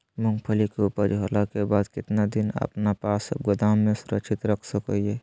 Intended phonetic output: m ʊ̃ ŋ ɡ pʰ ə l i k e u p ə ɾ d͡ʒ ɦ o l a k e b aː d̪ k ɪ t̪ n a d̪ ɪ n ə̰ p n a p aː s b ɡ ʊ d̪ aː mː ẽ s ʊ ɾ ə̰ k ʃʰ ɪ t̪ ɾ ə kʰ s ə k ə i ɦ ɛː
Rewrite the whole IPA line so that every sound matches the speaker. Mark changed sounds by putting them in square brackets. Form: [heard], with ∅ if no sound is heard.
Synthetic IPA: m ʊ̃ ŋ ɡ pʰ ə l i k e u p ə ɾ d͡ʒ ɦ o l a k e b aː d̪ k ɪ t̪ n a d̪ ɪ n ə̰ p n a p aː s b ɡ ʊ d̪ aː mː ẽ s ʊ ɾ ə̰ k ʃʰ ɪ t̪ ɾ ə kʰ s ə k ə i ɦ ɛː